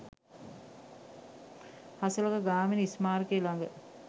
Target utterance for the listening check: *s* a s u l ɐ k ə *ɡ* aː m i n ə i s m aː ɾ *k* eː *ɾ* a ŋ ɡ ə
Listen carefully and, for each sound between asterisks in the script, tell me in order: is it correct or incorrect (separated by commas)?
incorrect, correct, correct, incorrect